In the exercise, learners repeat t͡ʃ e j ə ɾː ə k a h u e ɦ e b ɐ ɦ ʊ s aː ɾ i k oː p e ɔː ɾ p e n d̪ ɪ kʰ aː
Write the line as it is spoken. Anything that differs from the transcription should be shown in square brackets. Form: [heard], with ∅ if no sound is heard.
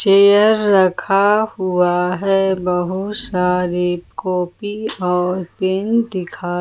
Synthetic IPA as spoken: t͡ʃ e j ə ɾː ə [kʰ] a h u [a] ɦ [ɛ] b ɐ ɦ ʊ s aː ɾ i k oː p [i] ɔː ɾ p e n d̪ ɪ kʰ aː